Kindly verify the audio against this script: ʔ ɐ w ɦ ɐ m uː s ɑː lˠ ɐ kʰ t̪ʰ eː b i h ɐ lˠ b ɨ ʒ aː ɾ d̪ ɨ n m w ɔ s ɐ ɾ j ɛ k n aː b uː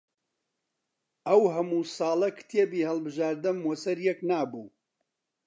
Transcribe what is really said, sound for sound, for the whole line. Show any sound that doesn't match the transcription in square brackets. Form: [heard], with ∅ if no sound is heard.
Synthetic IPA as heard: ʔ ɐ w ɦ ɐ m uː s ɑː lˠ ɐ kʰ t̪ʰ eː b i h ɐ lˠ b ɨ ʒ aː ɾ d̪ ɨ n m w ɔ s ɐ ɾ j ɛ k n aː b uː